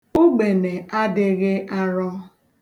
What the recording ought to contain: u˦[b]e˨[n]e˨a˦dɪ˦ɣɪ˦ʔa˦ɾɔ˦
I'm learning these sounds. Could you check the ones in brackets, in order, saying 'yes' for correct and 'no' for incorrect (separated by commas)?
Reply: no, yes